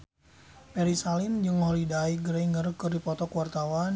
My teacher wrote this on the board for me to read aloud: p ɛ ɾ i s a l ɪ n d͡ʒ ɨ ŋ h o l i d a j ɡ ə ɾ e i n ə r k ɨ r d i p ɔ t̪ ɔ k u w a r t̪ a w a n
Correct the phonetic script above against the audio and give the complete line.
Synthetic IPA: p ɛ ɾ i s a l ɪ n d͡ʒ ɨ ŋ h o l i d a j ɡ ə ɾ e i ŋ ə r k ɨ r d i p ɔ t̪ ɔ k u w a r t̪ a w a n